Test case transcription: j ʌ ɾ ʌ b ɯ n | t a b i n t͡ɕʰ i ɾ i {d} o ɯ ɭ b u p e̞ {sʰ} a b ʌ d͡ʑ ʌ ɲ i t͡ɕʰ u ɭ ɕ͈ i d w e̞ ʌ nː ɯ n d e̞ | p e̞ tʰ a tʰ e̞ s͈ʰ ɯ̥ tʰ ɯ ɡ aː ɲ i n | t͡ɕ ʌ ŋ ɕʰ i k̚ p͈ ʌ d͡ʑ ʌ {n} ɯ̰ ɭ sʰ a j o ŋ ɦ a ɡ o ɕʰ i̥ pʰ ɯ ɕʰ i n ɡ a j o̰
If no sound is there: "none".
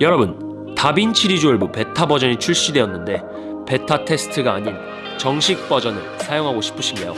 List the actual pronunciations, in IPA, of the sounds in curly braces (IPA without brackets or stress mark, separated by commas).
d͡ʑ, tʰ, n